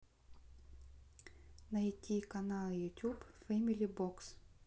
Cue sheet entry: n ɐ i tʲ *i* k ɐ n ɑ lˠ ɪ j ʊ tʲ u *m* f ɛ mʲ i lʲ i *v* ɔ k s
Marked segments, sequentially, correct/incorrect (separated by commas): correct, incorrect, incorrect